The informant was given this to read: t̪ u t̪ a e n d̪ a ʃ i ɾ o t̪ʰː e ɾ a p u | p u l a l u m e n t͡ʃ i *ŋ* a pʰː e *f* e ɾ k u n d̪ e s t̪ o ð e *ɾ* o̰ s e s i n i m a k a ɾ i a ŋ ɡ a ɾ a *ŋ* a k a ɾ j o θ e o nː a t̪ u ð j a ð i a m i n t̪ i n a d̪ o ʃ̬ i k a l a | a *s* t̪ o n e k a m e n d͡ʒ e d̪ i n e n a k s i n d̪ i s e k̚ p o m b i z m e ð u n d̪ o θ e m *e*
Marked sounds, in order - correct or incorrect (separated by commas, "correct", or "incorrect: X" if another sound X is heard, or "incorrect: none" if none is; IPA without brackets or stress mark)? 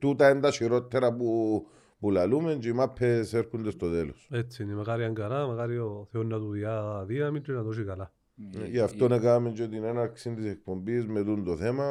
incorrect: m, incorrect: s, incorrect: l, incorrect: m, incorrect: f, incorrect: a